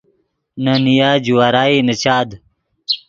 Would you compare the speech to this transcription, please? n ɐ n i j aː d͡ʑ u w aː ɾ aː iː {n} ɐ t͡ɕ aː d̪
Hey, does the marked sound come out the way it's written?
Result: yes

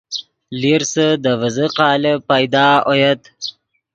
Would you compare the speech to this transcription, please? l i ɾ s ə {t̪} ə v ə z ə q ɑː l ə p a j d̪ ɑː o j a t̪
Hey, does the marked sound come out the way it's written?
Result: no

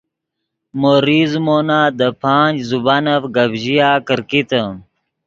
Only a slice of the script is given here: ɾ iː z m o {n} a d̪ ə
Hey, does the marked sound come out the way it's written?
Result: yes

